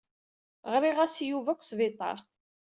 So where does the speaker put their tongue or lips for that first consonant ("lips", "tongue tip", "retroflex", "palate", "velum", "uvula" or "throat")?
uvula